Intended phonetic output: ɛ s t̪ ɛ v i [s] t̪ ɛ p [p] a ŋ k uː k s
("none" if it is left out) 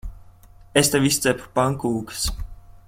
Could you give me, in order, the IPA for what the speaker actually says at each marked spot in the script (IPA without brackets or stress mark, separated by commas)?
s, p